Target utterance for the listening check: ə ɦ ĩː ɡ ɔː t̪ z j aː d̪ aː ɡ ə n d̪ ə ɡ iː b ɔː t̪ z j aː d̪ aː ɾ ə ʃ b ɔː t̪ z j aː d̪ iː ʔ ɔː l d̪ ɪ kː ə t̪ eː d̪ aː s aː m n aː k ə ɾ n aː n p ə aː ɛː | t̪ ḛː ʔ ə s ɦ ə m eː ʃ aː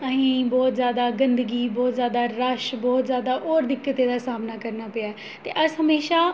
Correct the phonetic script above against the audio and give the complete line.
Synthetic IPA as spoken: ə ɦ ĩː b ɔː t̪ z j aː d̪ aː ɡ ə n d̪ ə ɡ iː b ɔː t̪ z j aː d̪ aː ɾ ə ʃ b ɔː t̪ z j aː d̪ aː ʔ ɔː ɾ d̪ ɪ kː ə t̪ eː d̪ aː s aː m n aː k ə ɾ n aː p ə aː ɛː | t̪ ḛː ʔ ə s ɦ ə m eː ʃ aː